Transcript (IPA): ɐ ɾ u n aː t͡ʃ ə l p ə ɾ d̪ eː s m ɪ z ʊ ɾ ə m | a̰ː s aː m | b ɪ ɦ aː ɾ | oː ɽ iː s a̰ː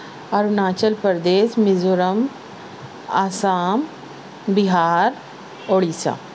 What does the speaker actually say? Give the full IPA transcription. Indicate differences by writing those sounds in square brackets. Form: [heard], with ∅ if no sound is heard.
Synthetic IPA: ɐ ɾ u n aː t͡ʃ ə l p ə ɾ d̪ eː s m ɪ z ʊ ɾ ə m | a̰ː s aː m | b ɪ ɦ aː ɾ | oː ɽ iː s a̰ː